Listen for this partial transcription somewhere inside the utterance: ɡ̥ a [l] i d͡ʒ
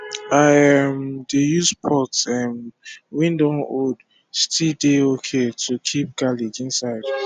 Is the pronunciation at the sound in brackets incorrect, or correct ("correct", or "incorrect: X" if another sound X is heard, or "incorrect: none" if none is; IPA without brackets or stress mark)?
correct